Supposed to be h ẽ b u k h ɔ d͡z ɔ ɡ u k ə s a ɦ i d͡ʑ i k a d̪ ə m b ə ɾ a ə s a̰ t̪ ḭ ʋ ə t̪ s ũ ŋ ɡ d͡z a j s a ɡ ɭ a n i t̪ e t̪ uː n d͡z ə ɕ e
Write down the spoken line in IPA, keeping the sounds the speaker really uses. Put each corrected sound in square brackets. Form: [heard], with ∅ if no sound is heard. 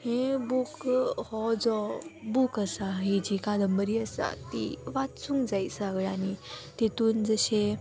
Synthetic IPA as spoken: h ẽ b u k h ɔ d͡z ɔ [b] u k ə s a ɦ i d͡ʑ i k a d̪ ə m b ə ɾ [i] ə s a̰ t̪ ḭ ʋ [a] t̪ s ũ ŋ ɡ d͡z a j s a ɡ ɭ a n i t̪ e t̪ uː n d͡z ə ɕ e

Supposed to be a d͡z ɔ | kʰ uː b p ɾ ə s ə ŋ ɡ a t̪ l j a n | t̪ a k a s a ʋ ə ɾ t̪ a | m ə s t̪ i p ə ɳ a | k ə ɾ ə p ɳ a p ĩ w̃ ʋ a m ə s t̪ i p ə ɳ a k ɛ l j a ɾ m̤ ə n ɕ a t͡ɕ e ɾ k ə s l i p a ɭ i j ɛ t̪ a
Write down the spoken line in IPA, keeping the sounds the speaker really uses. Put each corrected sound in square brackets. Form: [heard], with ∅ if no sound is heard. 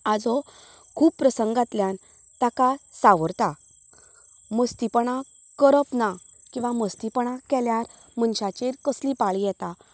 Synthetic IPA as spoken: a d͡z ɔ | kʰ uː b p ɾ ə s ə ŋ ɡ a t̪ l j a n | t̪ a k a s a ʋ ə ɾ t̪ a | m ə s t̪ i p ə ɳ a | k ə ɾ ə p [n] a [k] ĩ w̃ ʋ a m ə s t̪ i p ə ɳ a k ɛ l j a ɾ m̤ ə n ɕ a t͡ɕ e ɾ k ə s l i p a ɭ i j ɛ t̪ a

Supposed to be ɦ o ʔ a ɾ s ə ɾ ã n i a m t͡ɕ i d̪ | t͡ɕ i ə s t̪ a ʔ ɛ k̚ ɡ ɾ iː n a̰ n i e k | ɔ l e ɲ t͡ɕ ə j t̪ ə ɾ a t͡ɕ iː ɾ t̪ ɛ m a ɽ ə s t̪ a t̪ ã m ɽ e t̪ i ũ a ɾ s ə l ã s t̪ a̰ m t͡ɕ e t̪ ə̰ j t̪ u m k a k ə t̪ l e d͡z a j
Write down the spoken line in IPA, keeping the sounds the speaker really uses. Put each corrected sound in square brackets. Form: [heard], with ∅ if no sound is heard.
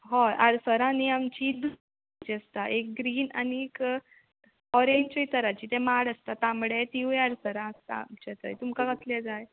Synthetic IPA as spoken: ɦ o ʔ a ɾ s ə ɾ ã n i a m t͡ɕ i d̪ | t͡ɕ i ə s t̪ a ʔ [e] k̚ ɡ ɾ iː n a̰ n i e k | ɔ [ɾ] e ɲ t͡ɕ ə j t̪ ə ɾ a t͡ɕ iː [∅] t̪ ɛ m a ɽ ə s t̪ a t̪ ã m ɽ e t̪ i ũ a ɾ s ə [ɾ] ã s t̪ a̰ m t͡ɕ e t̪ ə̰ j t̪ u m k a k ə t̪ l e d͡z a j

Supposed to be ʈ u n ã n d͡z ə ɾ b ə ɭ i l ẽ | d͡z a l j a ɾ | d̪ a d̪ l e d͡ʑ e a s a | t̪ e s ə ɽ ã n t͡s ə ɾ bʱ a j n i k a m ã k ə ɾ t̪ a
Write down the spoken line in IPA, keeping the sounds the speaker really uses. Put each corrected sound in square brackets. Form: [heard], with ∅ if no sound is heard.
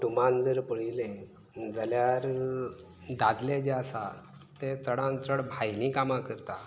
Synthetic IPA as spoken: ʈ u [m] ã n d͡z ə ɾ [p] ə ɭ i l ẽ | d͡z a l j a ɾ | d̪ a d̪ l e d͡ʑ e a s a | t̪ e [t͡s] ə ɽ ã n t͡s ə [ɽ] bʱ a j n i k a m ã k ə ɾ t̪ a

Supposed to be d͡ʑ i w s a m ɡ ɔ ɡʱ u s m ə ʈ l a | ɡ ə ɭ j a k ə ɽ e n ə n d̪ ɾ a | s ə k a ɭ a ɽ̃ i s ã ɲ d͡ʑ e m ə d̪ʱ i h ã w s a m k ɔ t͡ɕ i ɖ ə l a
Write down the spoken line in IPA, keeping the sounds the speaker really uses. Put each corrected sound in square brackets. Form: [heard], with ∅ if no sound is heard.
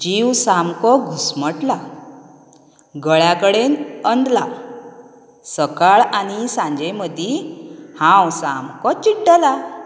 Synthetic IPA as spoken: d͡ʑ i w s a m [k] ɔ ɡʱ u s m ə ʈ l a | ɡ ə ɭ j a k ə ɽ e n ə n d̪ [l] a | s ə k a ɭ a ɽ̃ i s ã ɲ d͡ʑ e m ə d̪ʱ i h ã w s a m k ɔ t͡ɕ i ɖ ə l a

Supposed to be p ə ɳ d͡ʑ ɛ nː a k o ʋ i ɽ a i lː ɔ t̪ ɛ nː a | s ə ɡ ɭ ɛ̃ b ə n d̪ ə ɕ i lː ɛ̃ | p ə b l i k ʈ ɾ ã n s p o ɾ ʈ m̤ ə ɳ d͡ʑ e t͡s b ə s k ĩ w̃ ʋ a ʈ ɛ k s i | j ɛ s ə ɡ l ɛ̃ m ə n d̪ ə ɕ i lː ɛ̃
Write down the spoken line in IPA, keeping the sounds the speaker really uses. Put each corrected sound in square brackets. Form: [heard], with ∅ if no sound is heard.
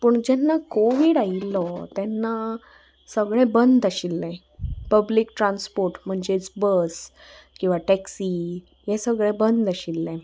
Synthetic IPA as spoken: p ə ɳ d͡ʑ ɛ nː a k o ʋ i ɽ a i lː ɔ t̪ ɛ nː a | s ə ɡ ɭ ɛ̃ b ə n d̪ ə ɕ i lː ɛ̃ | p ə b l i k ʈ ɾ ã n s p o ɾ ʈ m̤ ə ɳ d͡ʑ e t͡s b ə s k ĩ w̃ ʋ a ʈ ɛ k s i | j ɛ s ə ɡ [ɭ] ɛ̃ [b] ə n d̪ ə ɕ i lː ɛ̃

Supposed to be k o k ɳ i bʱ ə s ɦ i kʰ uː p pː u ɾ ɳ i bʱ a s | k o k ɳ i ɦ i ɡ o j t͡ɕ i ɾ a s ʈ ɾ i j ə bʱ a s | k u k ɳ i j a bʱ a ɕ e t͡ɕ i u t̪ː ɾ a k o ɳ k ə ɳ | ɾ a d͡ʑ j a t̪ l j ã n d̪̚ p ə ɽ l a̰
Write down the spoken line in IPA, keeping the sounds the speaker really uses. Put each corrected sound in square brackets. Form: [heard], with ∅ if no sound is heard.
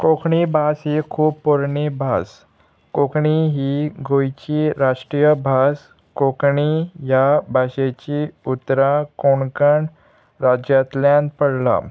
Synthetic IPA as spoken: k o k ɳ i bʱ [a] s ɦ i kʰ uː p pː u ɾ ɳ i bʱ a s | k o k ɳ i ɦ i ɡ o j t͡ɕ i ɾ a [ʂ] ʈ ɾ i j ə bʱ a s | k [o] k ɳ i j a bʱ a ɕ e t͡ɕ i u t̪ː ɾ a k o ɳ k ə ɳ | ɾ a d͡ʑ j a t̪ l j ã n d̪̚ p ə ɽ l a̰

